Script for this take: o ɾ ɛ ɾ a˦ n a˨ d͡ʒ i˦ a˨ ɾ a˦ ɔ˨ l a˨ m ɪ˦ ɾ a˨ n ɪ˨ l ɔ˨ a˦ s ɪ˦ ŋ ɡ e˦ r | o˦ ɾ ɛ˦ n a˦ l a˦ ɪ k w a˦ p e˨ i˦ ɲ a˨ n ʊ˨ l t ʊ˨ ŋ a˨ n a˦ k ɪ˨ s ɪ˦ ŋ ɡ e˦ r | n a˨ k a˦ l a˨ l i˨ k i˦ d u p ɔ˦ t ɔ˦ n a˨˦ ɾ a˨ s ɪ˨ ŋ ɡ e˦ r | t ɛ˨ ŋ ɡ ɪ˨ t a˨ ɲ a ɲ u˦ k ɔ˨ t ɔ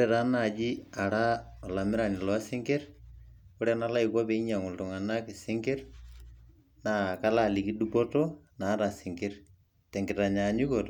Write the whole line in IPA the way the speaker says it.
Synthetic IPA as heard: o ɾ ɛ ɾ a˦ n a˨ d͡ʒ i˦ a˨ ɾ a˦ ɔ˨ l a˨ m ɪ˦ ɾ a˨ n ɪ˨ l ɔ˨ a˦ s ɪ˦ ŋ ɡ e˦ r | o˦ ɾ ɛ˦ n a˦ l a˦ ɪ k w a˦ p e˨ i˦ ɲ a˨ ŋ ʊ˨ l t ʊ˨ ŋ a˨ n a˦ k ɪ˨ s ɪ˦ ŋ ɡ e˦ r | n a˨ k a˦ l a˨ l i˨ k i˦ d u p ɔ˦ t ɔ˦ n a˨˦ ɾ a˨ s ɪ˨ ŋ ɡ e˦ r | t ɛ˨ ŋ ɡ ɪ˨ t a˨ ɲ a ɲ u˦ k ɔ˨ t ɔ